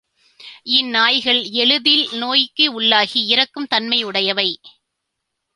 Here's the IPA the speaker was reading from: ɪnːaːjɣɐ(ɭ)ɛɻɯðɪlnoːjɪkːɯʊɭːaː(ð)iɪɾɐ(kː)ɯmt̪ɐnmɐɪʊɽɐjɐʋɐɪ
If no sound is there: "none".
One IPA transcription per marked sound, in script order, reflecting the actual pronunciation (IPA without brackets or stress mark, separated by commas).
ɭ, ɣ, kː